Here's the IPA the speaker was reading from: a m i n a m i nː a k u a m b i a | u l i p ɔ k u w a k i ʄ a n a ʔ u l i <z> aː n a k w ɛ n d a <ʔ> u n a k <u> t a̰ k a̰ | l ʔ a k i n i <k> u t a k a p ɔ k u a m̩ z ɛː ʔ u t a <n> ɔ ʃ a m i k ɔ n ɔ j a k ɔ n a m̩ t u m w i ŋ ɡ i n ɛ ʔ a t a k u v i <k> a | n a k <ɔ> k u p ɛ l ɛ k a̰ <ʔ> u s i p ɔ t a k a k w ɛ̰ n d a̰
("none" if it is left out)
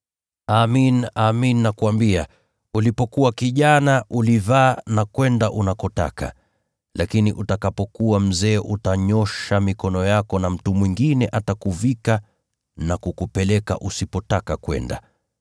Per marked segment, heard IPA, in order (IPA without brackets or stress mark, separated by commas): v, ʔ, ɔ, ʔ, ɲ, k, u, ʔ